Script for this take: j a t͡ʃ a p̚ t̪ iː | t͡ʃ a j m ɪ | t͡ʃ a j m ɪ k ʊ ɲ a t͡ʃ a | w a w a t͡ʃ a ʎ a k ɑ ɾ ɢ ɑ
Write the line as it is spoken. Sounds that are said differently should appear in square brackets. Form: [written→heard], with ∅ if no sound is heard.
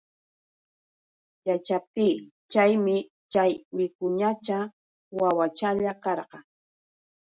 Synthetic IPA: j a t͡ʃ a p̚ t̪ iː | t͡ʃ a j m ɪ | t͡ʃ a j m ɪ k ʊ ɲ a t͡ʃ a | w a w a t͡ʃ a ʎ a k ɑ ɾ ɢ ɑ